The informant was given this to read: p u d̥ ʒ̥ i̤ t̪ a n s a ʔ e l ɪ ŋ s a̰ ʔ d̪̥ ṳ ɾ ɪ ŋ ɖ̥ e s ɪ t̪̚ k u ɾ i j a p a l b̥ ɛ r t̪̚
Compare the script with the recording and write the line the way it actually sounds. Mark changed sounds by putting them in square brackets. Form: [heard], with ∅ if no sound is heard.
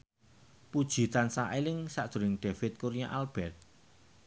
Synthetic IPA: p u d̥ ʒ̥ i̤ t̪ a n s a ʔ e l ɪ ŋ s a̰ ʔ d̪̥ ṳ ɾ ɪ ŋ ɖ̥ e [f] ɪ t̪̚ k u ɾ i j a [ʔ] a l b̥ ɛ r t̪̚